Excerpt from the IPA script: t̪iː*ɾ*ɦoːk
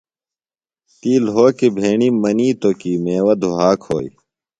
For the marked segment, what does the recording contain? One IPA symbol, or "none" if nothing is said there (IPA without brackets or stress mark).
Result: l